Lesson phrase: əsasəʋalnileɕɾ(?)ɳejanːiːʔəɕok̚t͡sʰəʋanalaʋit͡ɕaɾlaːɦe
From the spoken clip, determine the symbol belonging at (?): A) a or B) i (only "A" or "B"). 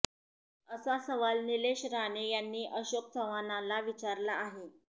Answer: A